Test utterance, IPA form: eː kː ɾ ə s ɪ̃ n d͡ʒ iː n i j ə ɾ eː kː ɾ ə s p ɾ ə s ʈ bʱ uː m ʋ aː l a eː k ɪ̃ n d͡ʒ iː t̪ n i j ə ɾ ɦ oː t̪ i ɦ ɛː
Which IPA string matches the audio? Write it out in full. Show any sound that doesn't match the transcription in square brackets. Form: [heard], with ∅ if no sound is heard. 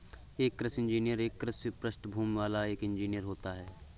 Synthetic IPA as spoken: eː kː ɾ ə s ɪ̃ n d͡ʒ iː n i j ə ɾ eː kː ɾ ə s p ɾ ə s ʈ bʱ uː m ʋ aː l a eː k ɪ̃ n d͡ʒ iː [∅] n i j ə ɾ ɦ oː t̪ [a] ɦ ɛː